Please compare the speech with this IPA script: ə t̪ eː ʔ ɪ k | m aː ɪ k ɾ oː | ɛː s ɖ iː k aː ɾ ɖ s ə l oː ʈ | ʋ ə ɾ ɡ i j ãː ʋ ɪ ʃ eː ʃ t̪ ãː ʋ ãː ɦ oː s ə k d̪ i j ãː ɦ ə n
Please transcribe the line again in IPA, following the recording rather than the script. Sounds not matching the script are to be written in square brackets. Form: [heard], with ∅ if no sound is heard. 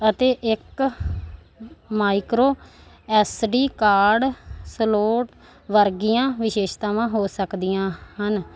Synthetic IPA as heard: ə t̪ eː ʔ ɪ k | m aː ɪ k ɾ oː | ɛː s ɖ iː k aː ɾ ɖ s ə l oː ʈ | ʋ ə ɾ ɡ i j ãː ʋ ɪ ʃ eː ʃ t̪ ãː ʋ ãː ɦ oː s ə k d̪ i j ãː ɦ ə n